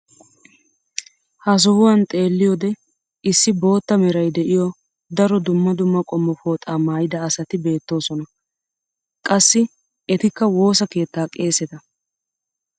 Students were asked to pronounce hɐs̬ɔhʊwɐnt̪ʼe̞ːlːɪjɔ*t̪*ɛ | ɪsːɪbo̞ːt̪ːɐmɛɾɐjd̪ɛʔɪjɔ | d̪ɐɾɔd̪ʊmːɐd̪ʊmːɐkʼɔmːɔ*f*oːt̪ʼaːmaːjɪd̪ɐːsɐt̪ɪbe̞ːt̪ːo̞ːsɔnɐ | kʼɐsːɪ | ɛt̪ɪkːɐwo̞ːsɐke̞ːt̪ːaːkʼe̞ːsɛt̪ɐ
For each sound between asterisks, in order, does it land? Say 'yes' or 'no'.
no, yes

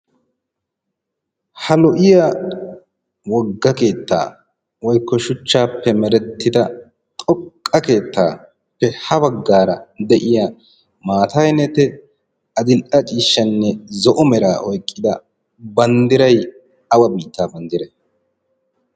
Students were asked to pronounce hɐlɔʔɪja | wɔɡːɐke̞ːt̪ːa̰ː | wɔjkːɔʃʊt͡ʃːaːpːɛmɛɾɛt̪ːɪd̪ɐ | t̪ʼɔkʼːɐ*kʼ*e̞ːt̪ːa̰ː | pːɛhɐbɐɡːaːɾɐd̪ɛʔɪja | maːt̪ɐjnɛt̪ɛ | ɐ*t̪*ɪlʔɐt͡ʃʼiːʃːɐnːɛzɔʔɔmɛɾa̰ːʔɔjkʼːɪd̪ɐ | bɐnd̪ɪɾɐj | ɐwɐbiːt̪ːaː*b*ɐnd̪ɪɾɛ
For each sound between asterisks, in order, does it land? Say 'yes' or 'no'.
no, no, yes

